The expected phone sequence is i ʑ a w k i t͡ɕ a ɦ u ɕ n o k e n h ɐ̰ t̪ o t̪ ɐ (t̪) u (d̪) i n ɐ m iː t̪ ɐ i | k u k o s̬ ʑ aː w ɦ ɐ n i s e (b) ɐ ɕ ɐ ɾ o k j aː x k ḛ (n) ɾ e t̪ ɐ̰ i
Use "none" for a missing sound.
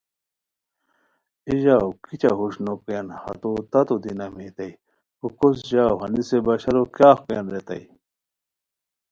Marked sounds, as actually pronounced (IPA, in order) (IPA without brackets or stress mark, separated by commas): t̪, d̪, b, n